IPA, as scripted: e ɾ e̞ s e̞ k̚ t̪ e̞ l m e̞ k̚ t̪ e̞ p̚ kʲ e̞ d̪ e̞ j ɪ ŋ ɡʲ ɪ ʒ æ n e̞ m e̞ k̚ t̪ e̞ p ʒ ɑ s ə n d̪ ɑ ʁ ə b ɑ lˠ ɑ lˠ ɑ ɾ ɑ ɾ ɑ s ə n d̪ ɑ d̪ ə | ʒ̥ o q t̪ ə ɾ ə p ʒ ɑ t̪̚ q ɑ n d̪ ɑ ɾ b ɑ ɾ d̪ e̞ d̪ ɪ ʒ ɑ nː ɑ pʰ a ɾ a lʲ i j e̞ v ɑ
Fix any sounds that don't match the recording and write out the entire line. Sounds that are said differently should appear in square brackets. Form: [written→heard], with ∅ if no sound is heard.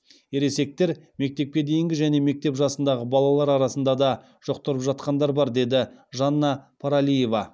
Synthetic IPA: e ɾ e̞ s e̞ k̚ t̪ e̞ [l→ɾ] m e̞ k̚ t̪ e̞ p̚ kʲ e̞ d̪ e̞ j ɪ ŋ ɡʲ ɪ ʒ æ n e̞ m e̞ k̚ t̪ e̞ p ʒ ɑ s ə n d̪ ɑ ʁ ə b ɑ lˠ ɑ lˠ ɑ ɾ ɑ ɾ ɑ s ə n d̪ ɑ d̪ [ə→ɑ] | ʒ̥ o q t̪ ə ɾ ə p ʒ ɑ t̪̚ q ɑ n d̪ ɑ ɾ b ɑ ɾ d̪ e̞ d̪ ɪ ʒ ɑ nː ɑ pʰ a ɾ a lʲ i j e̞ v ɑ